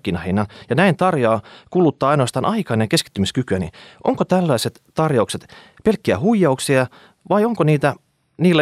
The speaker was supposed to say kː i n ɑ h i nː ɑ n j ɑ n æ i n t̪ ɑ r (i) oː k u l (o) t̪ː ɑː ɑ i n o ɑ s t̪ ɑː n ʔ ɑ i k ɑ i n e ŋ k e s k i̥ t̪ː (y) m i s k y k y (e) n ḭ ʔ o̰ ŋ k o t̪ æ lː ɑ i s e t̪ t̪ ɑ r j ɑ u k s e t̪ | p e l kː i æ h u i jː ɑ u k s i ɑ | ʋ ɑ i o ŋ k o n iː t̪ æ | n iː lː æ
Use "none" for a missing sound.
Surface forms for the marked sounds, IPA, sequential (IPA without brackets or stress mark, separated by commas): j, u, y, æ